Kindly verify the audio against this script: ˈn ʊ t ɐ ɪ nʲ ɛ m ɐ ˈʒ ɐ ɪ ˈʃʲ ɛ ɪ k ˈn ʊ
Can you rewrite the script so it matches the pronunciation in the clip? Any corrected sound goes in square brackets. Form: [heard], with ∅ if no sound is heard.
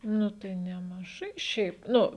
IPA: ˈn ʊ t ɐ ɪ nʲ ɛ m ɐ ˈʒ ɐ ɪ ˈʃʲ ɛ ɪ [p] ˈn ʊ